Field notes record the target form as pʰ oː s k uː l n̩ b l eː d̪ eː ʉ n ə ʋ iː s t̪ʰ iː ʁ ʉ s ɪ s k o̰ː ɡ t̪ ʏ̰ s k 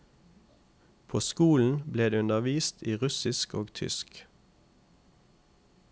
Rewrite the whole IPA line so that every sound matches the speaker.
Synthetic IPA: pʰ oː s k uː l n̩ b l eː d̪ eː ʉ n ə ʋ iː s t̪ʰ iː ʁ ʉ s ɪ s k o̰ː ɡ t̪ʰ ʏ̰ s k